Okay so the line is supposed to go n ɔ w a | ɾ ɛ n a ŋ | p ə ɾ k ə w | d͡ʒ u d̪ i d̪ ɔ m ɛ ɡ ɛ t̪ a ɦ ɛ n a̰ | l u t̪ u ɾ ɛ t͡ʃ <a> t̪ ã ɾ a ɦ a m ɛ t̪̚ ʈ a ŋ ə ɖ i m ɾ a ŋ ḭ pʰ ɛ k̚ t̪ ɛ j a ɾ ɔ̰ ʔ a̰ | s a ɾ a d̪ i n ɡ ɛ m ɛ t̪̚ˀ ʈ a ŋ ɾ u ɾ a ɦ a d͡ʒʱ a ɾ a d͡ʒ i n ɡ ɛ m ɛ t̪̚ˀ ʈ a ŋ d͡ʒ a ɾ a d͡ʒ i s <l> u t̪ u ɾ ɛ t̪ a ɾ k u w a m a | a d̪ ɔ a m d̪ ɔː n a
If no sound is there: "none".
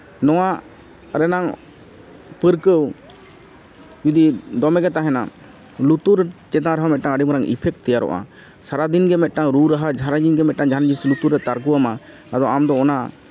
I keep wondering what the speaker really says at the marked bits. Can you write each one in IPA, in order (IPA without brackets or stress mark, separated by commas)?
ɛ, l